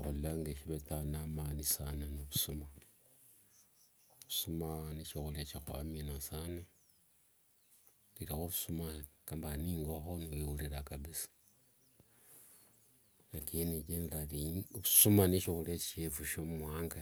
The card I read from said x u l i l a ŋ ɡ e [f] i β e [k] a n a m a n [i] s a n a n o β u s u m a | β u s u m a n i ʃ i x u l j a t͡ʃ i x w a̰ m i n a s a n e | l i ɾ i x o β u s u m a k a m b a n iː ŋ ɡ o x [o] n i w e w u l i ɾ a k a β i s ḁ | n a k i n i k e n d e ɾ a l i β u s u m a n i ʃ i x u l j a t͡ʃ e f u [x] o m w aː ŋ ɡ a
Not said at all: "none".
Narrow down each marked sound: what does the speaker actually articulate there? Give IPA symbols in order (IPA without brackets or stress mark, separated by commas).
ʃ, t, i, o, ʃ